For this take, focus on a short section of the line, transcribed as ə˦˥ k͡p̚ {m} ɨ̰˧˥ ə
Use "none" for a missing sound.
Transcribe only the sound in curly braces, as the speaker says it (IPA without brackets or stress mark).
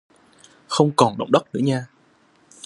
n